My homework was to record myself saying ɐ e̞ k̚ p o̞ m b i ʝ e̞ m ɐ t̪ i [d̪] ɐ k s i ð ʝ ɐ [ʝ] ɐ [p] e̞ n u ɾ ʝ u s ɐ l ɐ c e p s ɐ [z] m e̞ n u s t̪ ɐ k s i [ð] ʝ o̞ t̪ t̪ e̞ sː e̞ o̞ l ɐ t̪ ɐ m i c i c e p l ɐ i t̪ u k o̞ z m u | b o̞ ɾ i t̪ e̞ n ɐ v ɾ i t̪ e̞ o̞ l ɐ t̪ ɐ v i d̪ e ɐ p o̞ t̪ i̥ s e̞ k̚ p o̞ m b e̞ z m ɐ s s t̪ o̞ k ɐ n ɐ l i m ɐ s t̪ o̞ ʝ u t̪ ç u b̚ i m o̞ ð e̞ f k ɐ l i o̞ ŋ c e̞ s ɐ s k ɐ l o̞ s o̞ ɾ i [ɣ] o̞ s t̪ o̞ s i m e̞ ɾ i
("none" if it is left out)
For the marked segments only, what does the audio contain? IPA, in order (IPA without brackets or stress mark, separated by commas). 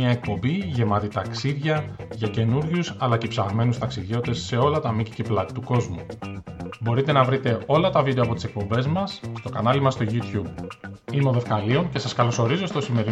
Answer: t̪, ʝ, c, ɣ, ð, z